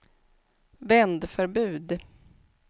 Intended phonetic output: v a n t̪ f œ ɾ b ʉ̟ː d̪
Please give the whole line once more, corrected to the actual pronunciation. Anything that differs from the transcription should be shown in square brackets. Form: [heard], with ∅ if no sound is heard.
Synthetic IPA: v [ɛ] n [d̪] f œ ɾ b ʉ̟ː d̪